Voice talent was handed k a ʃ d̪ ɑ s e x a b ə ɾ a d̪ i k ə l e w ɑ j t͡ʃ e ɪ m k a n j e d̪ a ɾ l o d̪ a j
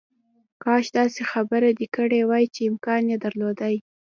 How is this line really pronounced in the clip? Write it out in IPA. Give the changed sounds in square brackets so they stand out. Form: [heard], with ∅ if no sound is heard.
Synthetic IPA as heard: k [ɑ] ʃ d̪ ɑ s e x a b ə ɾ a d̪ i k ə [ɽ] e w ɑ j t͡ʃ e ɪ m k [ɑ] n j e d̪ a ɾ l o d̪ a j